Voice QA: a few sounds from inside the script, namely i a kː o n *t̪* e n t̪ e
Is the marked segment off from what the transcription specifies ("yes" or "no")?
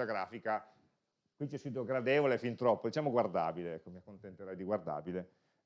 no